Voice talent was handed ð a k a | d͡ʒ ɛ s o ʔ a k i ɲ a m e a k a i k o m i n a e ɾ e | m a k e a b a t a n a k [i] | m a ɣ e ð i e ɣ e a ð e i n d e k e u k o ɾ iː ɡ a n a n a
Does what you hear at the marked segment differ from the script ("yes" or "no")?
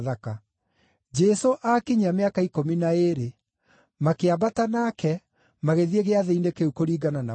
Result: yes